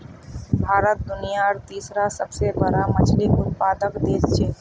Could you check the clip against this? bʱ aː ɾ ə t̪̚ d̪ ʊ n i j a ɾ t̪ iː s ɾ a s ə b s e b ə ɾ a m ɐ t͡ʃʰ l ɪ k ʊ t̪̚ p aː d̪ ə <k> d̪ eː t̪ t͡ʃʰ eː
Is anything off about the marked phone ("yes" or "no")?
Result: no